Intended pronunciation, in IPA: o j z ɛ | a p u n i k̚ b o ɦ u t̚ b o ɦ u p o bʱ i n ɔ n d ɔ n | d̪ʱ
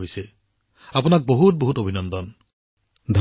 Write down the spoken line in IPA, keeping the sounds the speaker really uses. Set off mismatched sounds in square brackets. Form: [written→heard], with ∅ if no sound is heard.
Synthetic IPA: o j [z→s] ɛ | a p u n [i→a] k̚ b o ɦ u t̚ b o ɦ u [p→t] o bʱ i n ɔ n d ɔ n | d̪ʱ